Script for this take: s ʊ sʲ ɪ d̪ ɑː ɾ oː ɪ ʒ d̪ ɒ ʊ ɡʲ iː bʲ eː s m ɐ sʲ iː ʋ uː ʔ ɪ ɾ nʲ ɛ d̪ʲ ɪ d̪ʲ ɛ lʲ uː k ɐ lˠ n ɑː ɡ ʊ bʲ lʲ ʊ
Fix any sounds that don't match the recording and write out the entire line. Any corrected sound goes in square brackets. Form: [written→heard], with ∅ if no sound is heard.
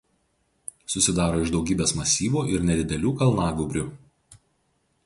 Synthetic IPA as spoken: s ʊ sʲ ɪ d̪ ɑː ɾ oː ɪ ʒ d̪ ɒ ʊ ɡʲ iː bʲ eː s m ɐ sʲ iː ʋ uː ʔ ɪ ɾ nʲ ɛ d̪ʲ ɪ d̪ʲ ɛ lʲ uː k ɐ lˠ n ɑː ɡ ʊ bʲ [lʲ→ɾʲ] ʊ